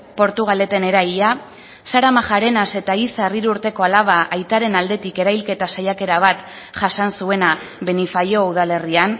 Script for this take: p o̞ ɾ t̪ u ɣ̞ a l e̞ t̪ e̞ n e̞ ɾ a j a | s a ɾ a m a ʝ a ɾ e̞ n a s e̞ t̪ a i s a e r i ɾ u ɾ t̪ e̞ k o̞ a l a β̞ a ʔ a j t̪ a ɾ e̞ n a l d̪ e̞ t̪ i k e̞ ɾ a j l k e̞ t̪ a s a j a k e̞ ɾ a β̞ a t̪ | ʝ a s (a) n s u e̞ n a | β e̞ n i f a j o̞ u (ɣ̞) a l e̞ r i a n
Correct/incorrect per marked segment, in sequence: correct, incorrect: ð̞

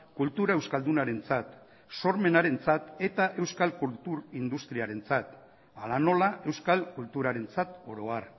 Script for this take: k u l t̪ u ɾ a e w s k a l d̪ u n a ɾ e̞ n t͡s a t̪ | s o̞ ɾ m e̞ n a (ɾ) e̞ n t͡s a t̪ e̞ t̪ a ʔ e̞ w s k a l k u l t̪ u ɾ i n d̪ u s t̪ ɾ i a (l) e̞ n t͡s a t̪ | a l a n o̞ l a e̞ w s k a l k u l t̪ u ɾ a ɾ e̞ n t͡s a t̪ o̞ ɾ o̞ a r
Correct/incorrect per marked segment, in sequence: correct, incorrect: ɾ

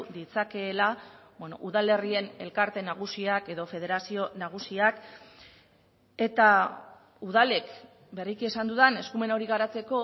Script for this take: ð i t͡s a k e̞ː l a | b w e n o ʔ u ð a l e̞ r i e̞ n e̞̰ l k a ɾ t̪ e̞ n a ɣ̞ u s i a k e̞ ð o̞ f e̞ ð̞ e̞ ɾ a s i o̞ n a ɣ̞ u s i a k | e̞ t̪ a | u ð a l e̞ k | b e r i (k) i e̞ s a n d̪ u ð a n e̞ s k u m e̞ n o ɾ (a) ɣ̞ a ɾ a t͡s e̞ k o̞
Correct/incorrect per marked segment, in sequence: correct, incorrect: i

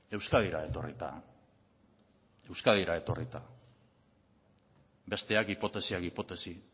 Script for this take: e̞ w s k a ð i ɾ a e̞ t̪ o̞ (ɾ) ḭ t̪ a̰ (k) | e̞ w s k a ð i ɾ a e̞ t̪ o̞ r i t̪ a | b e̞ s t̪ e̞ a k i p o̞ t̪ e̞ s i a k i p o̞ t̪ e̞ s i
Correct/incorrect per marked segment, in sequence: incorrect: r, incorrect: none

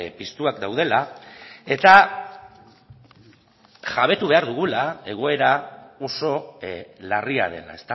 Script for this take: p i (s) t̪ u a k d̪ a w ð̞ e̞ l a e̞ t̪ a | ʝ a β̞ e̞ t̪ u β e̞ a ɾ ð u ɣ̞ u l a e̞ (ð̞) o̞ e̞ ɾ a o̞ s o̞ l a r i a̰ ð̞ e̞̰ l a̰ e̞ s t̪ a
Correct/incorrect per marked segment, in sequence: correct, incorrect: ɣ̞

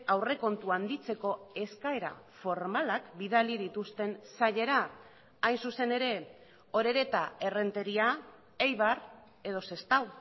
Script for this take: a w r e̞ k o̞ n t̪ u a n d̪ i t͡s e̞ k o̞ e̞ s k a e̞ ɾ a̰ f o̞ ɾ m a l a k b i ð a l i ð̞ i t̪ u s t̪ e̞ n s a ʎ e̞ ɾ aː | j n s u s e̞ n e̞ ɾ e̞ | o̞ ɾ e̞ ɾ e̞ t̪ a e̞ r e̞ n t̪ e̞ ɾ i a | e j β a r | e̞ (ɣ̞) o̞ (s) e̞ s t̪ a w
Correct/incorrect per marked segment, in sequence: incorrect: ð̞, correct

